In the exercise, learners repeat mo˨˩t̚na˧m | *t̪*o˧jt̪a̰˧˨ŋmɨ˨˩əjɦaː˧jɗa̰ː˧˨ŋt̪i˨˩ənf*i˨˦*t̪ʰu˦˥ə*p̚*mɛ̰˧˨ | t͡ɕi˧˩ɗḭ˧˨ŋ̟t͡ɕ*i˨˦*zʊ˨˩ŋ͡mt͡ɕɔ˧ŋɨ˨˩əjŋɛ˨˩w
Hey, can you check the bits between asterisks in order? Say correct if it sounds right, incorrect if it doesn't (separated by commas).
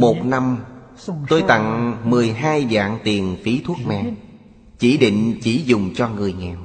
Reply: correct, correct, incorrect, incorrect